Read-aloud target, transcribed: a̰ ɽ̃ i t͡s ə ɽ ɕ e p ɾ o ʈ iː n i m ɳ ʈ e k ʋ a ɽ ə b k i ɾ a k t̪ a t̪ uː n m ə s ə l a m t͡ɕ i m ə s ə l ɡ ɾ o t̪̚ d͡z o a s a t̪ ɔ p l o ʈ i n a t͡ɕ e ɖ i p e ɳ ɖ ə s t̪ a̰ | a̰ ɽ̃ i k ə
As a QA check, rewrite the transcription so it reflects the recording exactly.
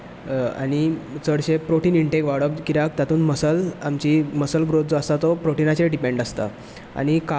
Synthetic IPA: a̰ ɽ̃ i t͡s ə ɽ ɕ e p ɾ o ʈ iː n i ɳ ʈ e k ʋ a ɽ ə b k i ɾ a k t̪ a t̪ uː n m ə s ə l a m t͡ɕ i m ə s ə l ɡ ɾ o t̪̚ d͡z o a s a t̪ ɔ p ɾ o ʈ i n a t͡ɕ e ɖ i p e ɳ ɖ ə s t̪ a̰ | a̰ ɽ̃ i k a